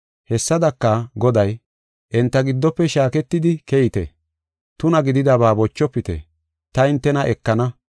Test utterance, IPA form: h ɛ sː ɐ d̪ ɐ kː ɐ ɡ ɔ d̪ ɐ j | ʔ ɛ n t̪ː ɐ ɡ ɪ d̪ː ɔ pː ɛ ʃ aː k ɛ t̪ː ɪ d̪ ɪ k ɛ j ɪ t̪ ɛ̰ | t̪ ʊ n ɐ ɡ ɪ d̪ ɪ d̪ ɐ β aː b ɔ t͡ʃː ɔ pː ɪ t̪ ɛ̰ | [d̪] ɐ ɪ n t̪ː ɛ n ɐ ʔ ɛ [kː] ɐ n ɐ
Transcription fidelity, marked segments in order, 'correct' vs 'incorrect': incorrect: t̪, correct

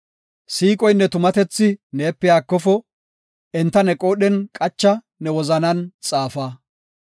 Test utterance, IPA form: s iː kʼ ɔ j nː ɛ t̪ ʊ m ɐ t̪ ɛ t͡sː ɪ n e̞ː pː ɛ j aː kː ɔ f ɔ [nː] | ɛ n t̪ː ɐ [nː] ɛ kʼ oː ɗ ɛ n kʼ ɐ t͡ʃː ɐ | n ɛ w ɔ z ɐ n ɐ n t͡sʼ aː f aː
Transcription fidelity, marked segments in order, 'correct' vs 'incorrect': incorrect: none, incorrect: n

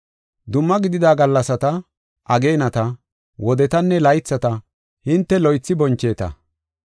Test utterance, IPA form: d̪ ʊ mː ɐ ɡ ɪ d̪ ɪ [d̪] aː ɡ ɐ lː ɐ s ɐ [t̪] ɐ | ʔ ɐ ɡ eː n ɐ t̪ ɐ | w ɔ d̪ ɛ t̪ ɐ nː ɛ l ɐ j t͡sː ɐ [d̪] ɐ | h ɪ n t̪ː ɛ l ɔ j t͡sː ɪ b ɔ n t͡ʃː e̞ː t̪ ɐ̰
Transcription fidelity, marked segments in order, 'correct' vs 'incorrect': correct, correct, incorrect: t̪

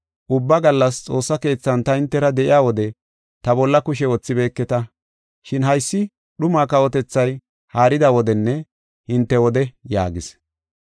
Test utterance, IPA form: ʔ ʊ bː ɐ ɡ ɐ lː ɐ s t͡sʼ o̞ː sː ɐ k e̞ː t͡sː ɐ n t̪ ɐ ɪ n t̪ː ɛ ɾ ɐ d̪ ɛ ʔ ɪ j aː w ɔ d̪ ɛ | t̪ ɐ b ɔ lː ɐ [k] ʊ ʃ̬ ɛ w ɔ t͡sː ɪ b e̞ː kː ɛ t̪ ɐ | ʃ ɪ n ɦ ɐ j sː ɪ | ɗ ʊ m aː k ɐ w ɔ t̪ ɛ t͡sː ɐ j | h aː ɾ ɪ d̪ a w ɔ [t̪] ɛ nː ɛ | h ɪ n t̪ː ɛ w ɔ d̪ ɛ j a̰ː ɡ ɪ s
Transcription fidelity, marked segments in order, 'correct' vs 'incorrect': correct, incorrect: d̪

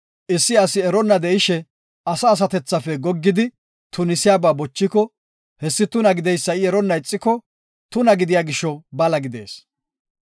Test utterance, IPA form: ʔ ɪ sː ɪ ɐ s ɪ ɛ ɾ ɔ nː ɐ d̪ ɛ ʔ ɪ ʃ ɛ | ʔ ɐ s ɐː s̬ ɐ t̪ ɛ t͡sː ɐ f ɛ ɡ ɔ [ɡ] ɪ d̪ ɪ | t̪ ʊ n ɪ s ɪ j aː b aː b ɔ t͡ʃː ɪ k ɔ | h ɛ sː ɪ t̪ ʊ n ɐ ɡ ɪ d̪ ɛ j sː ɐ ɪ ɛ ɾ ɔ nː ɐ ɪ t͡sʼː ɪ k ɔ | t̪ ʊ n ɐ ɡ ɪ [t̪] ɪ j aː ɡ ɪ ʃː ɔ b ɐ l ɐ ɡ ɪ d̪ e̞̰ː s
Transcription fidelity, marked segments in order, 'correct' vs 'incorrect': incorrect: ɡː, incorrect: d̪

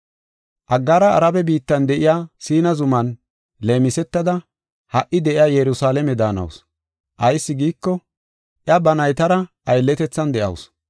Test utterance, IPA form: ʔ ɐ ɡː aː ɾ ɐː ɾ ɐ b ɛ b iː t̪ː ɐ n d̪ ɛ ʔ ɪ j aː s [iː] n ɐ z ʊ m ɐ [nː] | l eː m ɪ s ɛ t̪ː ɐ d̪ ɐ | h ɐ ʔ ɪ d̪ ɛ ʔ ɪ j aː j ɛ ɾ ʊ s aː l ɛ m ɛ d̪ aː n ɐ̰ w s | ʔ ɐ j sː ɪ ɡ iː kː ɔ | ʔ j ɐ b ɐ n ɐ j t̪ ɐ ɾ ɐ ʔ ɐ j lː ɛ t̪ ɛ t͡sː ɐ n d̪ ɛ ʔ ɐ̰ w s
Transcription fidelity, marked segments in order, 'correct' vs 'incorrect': correct, incorrect: n

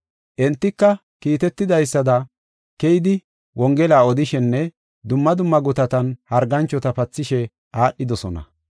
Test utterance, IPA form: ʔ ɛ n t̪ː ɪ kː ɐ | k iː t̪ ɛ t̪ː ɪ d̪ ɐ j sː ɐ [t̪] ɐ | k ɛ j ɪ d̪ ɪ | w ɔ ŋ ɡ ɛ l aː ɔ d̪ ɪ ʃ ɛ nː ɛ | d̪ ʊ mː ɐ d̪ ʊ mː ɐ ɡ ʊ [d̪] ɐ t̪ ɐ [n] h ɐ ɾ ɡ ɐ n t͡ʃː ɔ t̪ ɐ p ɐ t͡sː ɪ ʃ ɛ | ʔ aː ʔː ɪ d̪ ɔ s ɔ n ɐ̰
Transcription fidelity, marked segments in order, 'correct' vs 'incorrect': incorrect: d̪, incorrect: t̪, correct

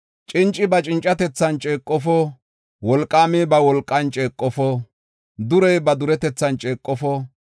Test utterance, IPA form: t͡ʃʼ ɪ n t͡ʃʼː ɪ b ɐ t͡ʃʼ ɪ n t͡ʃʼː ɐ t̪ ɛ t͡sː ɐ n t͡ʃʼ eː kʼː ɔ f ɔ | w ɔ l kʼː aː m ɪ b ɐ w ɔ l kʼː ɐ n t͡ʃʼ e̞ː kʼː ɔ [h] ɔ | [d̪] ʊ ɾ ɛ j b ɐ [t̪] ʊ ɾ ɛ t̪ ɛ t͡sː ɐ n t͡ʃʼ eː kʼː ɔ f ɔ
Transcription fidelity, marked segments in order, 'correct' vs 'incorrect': incorrect: f, correct, incorrect: d̪

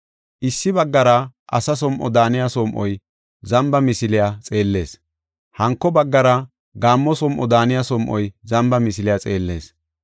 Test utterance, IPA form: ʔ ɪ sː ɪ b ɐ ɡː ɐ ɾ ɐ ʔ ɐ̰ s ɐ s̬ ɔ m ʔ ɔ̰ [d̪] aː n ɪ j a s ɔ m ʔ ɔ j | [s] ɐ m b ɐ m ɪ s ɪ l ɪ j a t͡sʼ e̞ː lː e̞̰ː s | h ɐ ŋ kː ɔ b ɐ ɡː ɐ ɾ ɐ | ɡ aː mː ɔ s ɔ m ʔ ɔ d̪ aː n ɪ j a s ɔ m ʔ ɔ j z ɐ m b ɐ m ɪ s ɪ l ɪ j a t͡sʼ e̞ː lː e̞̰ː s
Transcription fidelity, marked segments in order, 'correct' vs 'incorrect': correct, incorrect: z

